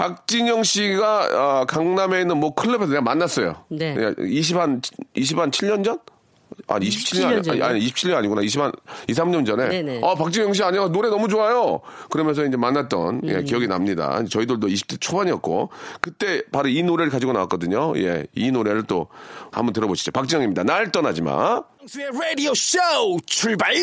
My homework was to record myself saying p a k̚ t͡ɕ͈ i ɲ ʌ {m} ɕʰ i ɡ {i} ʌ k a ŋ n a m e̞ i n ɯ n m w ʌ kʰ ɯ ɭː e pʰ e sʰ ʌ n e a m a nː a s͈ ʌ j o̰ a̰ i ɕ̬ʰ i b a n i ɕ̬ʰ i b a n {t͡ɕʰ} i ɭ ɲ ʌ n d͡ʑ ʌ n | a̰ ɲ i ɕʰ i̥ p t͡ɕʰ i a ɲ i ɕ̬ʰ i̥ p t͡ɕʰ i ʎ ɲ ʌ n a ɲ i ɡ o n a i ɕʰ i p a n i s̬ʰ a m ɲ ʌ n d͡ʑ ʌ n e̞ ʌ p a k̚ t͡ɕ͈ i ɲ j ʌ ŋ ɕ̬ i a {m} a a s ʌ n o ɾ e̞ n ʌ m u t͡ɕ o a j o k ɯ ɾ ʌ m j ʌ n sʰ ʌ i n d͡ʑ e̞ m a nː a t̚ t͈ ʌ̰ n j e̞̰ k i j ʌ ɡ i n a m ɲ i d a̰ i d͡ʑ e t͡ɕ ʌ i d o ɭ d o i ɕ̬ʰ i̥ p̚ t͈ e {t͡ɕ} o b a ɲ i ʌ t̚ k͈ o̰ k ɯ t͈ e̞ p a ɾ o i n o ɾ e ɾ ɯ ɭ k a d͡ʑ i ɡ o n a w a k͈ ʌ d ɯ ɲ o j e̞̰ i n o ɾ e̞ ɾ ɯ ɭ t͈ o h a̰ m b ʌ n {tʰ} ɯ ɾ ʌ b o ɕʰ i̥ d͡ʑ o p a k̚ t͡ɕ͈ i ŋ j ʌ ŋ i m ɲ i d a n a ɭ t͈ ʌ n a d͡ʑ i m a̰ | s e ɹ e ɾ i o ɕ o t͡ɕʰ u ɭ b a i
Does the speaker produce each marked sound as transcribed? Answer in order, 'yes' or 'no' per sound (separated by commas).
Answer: no, no, yes, no, no, no